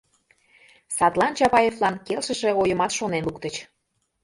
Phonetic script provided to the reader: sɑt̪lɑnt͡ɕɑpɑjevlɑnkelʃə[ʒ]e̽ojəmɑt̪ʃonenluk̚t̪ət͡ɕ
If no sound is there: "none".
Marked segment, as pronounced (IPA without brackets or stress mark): ʃ